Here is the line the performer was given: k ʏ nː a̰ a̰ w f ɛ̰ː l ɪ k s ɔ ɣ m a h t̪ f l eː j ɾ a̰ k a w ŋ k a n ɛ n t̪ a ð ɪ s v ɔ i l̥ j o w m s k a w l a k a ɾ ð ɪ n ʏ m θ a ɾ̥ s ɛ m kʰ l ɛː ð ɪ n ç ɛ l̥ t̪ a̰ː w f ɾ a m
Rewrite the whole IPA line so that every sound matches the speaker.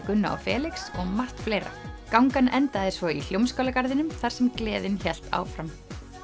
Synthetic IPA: k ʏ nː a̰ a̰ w f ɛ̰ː l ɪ k s ɔ ɣ m a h t̪ f l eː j ɾ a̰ k a w ŋ k a n ɛ n t̪ a ð ɪ s v ɔ i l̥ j o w m s k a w l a k a ɾ ð ɪ n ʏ m θ a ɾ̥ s ɛ m k l ɛː ð ɪ n ç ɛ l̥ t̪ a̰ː w f ɾ a m